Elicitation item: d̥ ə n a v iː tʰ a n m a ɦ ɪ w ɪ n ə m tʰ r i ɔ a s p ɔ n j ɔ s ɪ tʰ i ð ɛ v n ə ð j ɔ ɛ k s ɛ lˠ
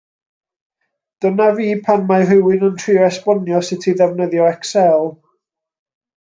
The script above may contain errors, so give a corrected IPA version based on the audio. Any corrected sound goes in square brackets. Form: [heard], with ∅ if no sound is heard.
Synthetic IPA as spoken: d̥ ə n a v iː [pʰ] a n m a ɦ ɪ w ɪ n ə [n] tʰ r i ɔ [ɛ] s p ɔ n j ɔ s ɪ tʰ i ð ɛ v n ə ð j ɔ ɛ k s ɛ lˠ